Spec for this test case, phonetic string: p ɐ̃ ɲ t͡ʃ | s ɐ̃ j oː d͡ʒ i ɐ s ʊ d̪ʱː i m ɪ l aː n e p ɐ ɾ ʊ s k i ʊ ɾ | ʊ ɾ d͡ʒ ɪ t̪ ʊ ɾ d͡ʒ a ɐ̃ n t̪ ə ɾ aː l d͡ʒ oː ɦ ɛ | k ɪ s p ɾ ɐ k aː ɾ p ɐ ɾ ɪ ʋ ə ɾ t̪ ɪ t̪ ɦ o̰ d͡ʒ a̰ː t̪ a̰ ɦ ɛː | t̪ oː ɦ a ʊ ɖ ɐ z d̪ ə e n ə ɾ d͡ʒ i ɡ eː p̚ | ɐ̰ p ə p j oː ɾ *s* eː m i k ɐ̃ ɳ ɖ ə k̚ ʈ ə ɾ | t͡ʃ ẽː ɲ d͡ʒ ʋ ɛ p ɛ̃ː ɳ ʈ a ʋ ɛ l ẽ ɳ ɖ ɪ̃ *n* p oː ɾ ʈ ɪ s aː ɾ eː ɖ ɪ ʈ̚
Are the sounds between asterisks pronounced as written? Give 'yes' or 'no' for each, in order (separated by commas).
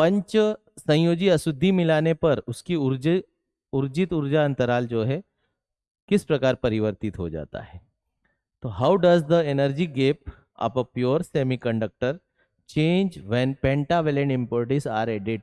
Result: yes, no